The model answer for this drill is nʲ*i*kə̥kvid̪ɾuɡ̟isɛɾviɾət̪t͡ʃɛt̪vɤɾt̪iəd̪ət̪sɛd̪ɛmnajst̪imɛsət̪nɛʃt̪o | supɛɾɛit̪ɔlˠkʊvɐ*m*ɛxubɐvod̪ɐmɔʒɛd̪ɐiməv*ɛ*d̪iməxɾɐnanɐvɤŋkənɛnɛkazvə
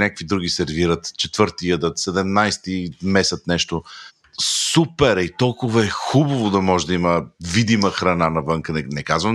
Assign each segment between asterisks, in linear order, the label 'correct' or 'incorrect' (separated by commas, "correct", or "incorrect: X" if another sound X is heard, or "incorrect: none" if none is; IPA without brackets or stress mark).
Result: incorrect: a, incorrect: none, incorrect: i